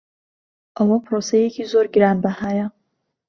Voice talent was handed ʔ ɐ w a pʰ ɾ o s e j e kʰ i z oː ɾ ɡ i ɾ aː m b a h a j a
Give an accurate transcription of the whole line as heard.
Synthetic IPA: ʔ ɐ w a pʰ ɾ o s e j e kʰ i z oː ɾ ɡ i ɾ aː n b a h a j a